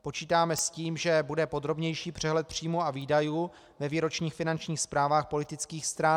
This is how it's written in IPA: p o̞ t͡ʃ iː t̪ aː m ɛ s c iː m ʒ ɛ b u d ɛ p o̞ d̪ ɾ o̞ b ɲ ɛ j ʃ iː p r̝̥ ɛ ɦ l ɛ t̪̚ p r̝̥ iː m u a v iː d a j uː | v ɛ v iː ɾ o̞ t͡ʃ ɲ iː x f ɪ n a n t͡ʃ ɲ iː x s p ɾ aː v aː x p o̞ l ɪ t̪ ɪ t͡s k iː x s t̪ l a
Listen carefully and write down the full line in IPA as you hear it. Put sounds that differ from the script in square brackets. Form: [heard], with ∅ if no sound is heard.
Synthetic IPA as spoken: p o̞ t͡ʃ iː t̪ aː m ɛ s c iː m ʒ ɛ b u d ɛ p o̞ d̪ ɾ o̞ b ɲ ɛ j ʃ iː p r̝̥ ɛ ɦ l ɛ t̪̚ p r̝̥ iː m u a v iː d a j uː | v ɛ v iː ɾ o̞ t͡ʃ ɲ iː x f ɪ n a n t͡ʃ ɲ iː x s p ɾ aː v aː x p o̞ l ɪ t̪ ɪ t͡s k iː x s t̪ [ɾ] a